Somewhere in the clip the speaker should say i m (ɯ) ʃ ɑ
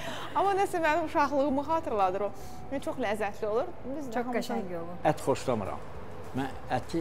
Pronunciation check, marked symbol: incorrect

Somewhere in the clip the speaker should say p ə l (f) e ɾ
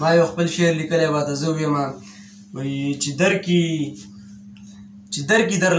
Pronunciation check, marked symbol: incorrect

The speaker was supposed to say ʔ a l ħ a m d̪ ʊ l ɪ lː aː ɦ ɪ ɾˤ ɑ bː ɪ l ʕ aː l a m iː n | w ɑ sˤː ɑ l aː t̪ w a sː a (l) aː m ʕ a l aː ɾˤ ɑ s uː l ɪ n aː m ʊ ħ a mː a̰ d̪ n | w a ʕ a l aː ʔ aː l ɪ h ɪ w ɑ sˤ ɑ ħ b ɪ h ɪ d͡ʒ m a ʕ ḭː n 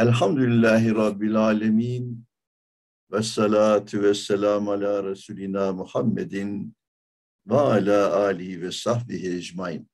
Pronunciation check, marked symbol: correct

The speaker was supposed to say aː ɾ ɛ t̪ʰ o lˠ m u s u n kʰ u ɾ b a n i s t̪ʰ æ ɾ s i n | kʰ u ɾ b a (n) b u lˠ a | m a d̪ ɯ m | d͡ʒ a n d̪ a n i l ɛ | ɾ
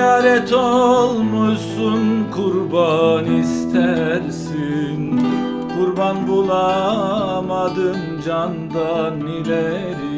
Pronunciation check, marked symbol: correct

